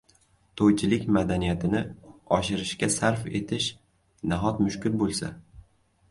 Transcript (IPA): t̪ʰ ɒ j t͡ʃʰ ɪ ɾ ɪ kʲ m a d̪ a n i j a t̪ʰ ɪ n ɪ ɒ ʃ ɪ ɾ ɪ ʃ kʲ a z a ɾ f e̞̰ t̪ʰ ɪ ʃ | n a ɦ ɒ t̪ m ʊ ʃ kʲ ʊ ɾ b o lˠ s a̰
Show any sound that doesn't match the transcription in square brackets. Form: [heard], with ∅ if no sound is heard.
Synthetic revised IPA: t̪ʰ [o] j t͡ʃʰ ɪ [l] ɪ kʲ m a d̪ a n i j a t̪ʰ ɪ n ɪ ɒ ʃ ɪ ɾ ɪ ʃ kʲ a [s] a ɾ f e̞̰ t̪ʰ ɪ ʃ | n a ɦ ɒ t̪ m ʊ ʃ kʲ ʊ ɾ b o lˠ s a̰